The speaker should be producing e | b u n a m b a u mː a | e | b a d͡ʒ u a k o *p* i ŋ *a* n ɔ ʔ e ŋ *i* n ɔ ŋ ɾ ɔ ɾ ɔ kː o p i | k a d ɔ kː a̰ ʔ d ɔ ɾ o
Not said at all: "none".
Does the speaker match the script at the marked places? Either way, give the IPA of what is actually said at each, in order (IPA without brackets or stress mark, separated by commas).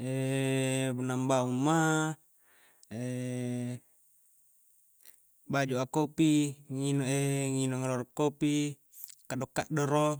p, i, i